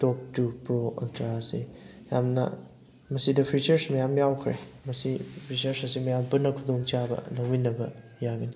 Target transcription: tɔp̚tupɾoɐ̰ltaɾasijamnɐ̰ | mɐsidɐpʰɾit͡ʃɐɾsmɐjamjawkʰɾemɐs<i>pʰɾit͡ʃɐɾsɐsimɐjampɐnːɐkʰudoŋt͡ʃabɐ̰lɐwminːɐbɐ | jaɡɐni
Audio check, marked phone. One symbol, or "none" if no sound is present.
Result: i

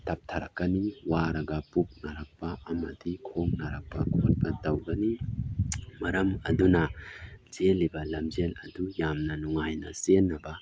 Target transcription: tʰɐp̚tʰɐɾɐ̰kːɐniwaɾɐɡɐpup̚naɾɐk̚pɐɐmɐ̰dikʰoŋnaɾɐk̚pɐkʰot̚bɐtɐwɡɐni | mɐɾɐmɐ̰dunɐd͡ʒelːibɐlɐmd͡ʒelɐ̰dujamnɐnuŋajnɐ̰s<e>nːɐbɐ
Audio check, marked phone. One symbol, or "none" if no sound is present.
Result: e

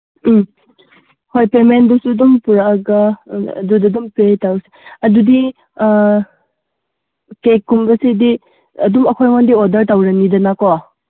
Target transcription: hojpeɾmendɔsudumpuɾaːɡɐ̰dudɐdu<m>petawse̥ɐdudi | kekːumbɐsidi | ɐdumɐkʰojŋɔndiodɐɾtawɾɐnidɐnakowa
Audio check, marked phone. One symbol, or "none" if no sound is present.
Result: m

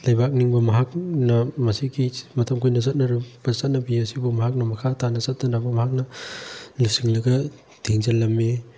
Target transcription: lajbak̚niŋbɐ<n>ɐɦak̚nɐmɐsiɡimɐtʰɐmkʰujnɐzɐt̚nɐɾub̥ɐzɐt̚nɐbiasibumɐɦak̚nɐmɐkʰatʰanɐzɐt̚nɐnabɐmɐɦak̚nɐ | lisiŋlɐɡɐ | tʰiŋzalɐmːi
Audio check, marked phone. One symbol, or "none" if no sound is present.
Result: m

